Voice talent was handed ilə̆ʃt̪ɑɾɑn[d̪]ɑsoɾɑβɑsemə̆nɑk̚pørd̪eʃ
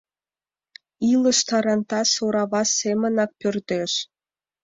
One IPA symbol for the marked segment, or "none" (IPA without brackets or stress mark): t̪